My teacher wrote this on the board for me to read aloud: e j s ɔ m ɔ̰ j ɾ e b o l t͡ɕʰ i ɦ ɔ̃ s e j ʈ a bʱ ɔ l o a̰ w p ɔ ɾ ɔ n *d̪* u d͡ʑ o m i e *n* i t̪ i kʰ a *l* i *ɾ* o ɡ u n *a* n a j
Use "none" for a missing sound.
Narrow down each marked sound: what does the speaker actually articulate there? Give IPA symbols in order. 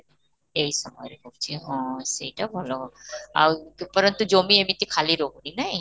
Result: t̪, m, l, ɾ, i

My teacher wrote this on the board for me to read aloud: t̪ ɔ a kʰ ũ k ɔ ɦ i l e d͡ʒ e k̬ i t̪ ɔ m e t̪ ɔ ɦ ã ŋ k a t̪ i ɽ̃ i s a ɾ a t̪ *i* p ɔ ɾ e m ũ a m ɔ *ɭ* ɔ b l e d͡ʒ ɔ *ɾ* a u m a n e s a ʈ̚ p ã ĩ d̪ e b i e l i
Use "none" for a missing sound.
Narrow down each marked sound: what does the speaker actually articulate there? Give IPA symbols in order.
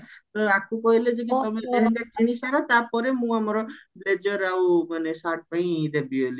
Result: a, ɾ, ɾ

